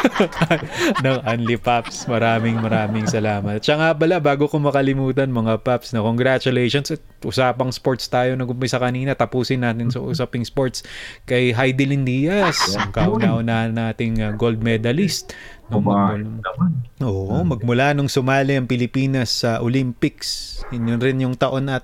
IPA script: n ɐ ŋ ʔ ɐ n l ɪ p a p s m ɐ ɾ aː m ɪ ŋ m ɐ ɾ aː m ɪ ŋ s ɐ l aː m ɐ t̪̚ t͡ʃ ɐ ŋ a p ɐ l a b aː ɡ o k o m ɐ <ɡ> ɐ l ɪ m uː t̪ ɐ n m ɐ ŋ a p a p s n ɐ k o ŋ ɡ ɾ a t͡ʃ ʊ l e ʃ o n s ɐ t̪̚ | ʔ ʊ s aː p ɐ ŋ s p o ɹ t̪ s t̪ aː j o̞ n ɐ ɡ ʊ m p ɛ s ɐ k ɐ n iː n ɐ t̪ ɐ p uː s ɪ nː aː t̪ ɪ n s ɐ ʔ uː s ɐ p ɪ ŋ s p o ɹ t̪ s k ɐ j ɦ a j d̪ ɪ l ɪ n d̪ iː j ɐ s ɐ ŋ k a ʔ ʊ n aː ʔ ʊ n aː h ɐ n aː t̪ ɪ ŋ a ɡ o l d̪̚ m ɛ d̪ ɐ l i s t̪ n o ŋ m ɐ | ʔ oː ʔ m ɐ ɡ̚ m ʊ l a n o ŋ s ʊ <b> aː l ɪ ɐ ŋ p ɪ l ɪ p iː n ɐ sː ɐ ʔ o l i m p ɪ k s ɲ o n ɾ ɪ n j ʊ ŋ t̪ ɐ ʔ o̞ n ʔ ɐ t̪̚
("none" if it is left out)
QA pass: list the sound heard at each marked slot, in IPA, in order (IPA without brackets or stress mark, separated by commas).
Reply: k, m